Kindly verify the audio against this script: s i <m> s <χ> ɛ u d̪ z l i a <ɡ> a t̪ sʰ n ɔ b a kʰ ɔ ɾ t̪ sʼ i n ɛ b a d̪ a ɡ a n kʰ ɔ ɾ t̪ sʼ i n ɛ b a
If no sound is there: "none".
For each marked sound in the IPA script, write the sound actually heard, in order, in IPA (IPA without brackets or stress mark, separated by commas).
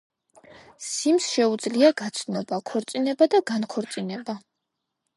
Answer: m, ʃ, ɡ